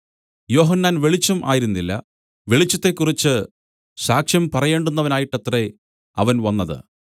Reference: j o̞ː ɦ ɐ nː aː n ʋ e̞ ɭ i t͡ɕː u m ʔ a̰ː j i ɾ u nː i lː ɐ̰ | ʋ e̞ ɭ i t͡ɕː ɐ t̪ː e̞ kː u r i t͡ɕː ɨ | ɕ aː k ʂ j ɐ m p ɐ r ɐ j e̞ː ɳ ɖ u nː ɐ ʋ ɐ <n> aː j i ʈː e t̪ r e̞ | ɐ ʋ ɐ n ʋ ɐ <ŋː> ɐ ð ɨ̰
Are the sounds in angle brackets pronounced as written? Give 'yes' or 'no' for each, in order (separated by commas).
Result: yes, no